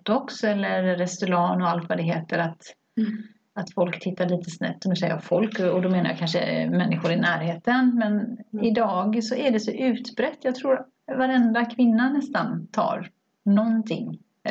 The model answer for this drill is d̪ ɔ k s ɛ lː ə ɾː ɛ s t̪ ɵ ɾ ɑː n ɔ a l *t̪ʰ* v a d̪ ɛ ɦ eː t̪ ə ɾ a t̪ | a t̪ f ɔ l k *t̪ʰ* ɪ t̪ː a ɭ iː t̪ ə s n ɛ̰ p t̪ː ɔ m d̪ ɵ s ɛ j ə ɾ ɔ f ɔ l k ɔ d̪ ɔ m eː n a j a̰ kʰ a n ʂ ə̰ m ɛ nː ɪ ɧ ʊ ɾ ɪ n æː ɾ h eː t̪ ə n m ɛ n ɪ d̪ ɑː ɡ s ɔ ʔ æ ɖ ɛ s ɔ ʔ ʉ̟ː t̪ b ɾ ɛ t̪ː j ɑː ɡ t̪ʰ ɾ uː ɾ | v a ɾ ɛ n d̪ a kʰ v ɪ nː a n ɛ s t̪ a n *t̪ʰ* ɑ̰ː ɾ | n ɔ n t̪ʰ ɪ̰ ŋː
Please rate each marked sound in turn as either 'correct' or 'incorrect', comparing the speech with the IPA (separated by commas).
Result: incorrect, correct, correct